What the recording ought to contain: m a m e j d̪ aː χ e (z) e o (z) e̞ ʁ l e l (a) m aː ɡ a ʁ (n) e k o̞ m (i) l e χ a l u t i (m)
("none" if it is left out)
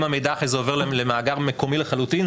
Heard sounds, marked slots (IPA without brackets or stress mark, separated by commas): z, v, e, m, i, n